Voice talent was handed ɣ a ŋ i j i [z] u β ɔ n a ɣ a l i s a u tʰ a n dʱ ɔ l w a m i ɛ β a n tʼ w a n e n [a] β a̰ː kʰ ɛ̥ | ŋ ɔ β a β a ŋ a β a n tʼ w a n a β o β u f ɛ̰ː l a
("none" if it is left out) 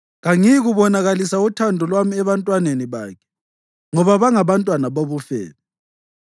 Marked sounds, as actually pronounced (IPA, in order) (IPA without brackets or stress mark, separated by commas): ɣ, i